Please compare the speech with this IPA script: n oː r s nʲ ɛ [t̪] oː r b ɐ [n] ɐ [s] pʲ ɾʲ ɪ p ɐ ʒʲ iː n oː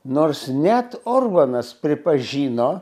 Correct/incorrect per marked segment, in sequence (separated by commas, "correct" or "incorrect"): correct, correct, correct